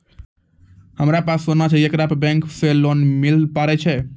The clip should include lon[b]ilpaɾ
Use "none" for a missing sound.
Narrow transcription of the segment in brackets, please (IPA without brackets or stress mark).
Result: m